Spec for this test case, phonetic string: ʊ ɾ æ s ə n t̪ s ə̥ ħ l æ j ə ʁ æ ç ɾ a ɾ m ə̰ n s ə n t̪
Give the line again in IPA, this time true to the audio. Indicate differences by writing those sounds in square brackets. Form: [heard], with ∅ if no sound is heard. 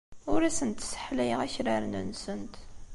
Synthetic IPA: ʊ ɾ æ s ə n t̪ s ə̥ ħ l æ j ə ʁ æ ç ɾ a ɾ [n] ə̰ n s ə n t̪